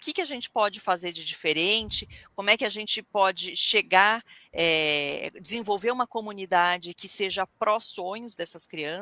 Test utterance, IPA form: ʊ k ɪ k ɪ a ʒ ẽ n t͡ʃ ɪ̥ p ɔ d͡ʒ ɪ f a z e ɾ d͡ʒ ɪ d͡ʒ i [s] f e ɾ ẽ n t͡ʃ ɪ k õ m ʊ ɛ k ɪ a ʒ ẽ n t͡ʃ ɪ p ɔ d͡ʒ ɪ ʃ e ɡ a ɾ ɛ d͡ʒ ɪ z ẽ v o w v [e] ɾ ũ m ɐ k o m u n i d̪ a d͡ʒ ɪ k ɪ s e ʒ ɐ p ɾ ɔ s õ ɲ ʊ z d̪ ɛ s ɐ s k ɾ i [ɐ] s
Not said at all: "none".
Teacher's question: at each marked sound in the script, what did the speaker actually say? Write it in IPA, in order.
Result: none, e, ɐ̃

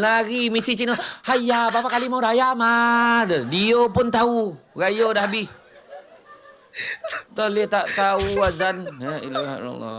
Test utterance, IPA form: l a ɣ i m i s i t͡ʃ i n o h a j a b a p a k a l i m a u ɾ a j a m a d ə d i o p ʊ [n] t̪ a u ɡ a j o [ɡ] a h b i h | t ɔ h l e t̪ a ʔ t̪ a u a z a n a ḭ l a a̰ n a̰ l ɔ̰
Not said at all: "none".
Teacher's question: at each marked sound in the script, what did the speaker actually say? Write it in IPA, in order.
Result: n, d

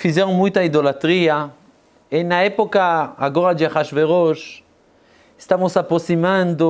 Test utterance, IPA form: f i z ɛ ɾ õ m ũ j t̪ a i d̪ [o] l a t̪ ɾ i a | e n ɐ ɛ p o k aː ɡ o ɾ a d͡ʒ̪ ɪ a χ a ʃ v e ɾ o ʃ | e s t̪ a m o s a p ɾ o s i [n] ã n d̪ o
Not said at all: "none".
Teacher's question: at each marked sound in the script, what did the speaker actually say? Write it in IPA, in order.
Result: o, m

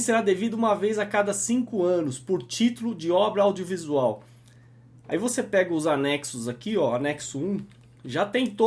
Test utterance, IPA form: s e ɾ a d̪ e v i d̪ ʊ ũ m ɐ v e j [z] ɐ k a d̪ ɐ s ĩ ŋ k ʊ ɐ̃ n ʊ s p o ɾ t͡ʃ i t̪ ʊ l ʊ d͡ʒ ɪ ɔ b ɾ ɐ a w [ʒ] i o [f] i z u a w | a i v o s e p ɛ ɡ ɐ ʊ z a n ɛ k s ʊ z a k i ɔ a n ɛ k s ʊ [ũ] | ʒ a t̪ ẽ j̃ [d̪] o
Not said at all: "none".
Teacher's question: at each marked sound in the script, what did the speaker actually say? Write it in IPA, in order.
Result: z, d͡ʒ, v, ũ, t̪

